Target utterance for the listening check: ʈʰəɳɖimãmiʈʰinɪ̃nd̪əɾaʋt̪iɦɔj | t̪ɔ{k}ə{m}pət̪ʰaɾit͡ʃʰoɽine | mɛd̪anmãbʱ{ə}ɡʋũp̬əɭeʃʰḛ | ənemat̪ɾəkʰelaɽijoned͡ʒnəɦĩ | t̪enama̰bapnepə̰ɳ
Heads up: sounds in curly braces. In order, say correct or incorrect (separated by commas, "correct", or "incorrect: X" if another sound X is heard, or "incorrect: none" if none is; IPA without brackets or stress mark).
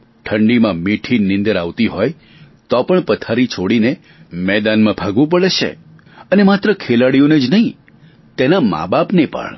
incorrect: p, incorrect: ɳ, incorrect: a